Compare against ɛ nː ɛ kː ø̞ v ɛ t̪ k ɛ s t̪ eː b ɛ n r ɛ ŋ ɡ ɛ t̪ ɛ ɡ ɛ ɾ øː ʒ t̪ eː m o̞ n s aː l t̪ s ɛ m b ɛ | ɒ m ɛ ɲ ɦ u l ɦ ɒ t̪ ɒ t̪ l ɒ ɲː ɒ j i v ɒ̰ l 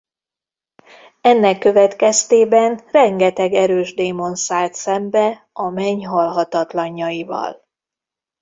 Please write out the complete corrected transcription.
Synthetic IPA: ɛ nː ɛ kː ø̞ v ɛ t̪ k ɛ s t̪ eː b ɛ n r ɛ ŋ ɡ ɛ t̪ ɛ ɡ ɛ ɾ øː ʒ d̪ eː m o̞ n s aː l t̪ s ɛ m b ɛ | ɒ m ɛ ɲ ɦ ɒ l ɦ ɒ t̪ ɒ t̪ l ɒ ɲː ɒ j i v ɒ̰ l